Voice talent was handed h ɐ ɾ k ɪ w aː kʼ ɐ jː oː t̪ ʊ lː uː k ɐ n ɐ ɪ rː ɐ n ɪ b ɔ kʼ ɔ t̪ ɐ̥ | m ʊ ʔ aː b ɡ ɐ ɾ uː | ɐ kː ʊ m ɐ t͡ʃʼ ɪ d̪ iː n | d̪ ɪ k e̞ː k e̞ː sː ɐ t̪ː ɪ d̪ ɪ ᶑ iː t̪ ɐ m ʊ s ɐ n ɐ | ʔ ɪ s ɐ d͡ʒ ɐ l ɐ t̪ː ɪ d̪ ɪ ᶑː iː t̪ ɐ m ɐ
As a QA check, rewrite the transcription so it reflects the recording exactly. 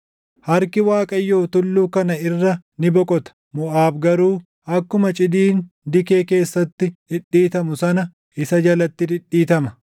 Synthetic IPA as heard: h ɐ ɾ k ɪ w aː kʼ ɐ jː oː t̪ ʊ lː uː k ɐ n ɐ ɪ rː ɐ n ɪ b ɔ kʼ ɔ t̪ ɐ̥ | m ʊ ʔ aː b ɡ ɐ ɾ uː | ɐ kː ʊ m ɐ t͡ʃʼ ɪ d̪ iː n | d̪ ɪ k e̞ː k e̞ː sː ɐ t̪ː ɪ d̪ ɪ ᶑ iː t̪ ɐ m ʊ s ɐ n ɐ | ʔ ɪ s ɐ d͡ʒ ɐ l ɐ t̪ː ɪ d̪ ɪ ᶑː iː t̪ ɐ m ɐ